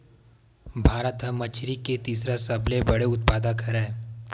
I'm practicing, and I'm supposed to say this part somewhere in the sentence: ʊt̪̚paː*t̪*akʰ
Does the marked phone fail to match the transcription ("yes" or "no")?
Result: yes